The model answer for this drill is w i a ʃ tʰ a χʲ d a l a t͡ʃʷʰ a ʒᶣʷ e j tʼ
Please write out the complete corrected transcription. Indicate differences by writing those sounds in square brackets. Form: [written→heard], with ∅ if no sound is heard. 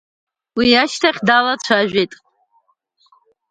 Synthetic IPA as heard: w i a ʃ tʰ a χʲ d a l a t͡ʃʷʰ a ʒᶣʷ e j tʼ